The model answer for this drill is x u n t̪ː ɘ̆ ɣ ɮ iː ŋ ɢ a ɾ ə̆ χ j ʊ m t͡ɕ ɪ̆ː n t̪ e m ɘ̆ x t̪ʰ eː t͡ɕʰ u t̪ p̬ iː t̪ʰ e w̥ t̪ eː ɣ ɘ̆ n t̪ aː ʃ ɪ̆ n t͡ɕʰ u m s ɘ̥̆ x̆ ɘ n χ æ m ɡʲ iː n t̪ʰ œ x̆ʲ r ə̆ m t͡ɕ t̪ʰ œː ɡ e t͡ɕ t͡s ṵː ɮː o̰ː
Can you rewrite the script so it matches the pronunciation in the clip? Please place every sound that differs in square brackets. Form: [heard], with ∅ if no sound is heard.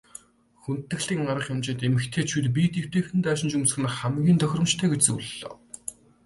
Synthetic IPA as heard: x u n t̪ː ɘ̆ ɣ ɮ iː ŋ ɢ a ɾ ə̆ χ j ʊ m t͡ɕ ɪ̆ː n t̪ e m ɘ̆ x t̪ʰ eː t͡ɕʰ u t̪ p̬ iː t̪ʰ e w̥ t̪ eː [x] ɘ̆ n t̪ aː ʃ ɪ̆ n [t͡ɕ] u m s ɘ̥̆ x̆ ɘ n χ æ m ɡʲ iː n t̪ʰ œ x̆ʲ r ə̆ m t͡ɕ t̪ʰ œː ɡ e t͡ɕ t͡s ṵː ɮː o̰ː